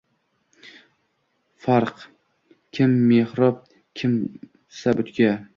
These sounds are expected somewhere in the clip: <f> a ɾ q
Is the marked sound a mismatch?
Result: no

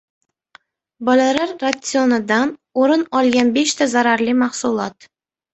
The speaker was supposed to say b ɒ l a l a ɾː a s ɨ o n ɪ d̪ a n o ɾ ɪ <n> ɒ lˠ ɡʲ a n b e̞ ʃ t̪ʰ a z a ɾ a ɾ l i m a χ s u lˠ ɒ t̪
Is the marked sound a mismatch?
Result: no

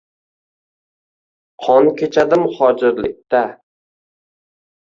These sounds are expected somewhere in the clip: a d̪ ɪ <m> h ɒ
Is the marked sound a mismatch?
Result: no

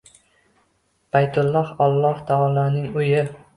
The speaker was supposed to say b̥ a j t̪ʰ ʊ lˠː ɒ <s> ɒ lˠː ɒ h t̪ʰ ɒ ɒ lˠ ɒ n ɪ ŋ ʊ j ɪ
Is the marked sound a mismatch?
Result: yes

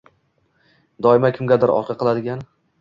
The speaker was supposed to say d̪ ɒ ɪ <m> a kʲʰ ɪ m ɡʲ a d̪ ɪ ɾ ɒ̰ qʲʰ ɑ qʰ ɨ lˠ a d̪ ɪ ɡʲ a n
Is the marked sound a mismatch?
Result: no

